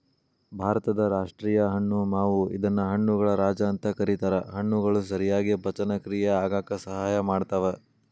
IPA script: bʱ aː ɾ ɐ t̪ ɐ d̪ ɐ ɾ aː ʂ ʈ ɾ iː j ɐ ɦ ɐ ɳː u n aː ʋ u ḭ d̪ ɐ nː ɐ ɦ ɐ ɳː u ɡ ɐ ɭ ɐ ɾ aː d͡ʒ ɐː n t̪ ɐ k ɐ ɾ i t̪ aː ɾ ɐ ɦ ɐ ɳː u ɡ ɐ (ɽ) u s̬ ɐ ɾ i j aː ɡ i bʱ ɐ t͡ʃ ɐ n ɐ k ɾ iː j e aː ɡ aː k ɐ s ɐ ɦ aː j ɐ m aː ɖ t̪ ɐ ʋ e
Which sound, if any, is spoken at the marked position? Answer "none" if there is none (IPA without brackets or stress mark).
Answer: ɭ